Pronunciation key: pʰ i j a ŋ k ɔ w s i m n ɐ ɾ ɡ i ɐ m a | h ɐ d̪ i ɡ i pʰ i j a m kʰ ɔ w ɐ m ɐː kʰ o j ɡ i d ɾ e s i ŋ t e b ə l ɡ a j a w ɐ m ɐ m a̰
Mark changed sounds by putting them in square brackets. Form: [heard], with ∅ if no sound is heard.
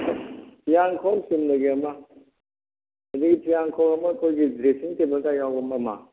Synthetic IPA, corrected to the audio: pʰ i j a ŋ [kʰ] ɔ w s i m n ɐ [∅] ɡ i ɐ m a | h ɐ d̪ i ɡ i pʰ i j a [ŋ] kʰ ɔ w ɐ m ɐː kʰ o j ɡ i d ɾ e s i ŋ t e b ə l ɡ a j a w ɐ m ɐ m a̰